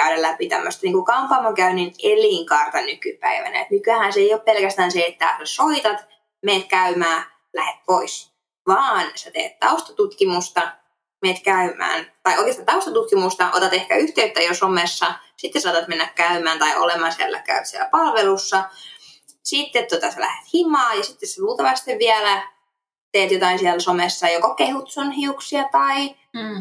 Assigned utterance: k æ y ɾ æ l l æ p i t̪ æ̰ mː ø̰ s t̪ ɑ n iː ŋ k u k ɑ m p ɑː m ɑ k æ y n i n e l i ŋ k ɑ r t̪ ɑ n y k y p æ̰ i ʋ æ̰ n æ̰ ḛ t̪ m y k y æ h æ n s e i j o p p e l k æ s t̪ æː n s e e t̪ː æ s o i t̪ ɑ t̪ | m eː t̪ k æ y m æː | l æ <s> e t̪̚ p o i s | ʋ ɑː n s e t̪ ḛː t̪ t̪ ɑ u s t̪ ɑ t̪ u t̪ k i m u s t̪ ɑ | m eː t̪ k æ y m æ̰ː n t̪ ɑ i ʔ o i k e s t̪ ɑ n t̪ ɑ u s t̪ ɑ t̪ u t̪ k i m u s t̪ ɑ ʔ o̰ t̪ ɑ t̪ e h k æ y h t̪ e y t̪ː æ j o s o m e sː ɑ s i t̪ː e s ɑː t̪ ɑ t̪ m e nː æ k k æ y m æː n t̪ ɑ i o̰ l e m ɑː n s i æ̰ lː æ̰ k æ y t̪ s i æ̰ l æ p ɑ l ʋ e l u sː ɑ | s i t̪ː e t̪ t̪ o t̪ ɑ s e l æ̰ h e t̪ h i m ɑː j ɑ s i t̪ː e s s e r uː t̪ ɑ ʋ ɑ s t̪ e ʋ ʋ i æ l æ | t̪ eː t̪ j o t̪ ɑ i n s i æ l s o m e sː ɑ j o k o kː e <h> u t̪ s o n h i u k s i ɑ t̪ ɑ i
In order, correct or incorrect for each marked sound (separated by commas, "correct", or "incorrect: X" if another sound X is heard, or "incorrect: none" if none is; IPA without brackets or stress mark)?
incorrect: h, correct